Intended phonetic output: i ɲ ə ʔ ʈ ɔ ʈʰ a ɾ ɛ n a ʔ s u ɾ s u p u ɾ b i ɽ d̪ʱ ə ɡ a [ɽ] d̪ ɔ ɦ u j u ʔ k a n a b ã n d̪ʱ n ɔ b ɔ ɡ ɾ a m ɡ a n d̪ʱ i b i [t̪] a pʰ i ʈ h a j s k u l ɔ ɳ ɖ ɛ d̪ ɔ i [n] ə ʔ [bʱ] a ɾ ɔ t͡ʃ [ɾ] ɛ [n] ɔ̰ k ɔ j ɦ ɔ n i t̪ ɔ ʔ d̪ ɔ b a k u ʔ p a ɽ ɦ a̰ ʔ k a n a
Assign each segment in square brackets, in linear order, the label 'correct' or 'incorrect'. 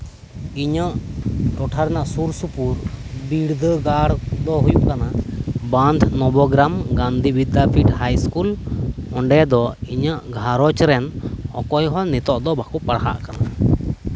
correct, incorrect: d̪, incorrect: ɲ, incorrect: ɡʱ, correct, correct

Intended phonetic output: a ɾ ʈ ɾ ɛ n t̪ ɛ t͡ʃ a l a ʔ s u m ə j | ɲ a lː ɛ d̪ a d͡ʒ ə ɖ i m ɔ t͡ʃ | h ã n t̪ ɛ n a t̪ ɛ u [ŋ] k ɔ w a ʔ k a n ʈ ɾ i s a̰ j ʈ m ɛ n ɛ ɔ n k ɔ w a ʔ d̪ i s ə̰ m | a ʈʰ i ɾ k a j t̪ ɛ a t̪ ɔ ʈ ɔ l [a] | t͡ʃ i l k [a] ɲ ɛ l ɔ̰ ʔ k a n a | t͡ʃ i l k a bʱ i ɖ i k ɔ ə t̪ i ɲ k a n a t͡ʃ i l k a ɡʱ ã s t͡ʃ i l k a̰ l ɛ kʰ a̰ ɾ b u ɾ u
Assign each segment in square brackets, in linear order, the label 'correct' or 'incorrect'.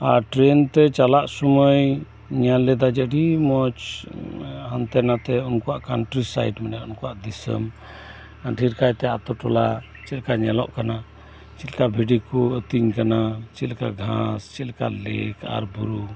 incorrect: n, correct, correct

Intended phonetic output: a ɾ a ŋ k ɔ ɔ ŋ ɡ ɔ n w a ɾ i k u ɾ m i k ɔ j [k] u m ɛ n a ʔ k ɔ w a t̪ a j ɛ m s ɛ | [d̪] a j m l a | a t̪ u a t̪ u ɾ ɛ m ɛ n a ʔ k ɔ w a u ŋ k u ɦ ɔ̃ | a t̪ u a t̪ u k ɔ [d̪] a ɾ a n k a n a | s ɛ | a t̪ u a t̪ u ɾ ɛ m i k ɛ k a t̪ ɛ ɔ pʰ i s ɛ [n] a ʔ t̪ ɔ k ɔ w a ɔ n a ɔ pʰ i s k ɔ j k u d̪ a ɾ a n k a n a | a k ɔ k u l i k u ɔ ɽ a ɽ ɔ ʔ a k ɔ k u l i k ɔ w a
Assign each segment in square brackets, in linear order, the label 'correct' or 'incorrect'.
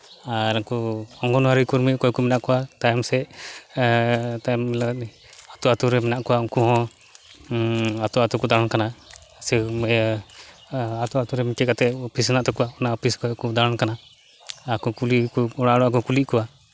correct, incorrect: t̪, correct, correct

